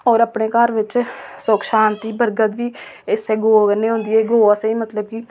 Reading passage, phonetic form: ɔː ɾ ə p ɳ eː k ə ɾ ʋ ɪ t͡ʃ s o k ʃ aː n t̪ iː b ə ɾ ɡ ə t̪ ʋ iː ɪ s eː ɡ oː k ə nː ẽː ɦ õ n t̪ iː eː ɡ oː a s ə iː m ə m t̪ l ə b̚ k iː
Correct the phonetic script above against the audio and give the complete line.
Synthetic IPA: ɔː ɾ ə p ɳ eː k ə ɾ ʋ ɪ t͡ʃ s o k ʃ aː n t̪ iː b ə ɾ ɡ ə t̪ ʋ iː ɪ s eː ɡ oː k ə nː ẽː ɦ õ n d̪ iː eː ɡ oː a s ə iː m ə t̪ l ə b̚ k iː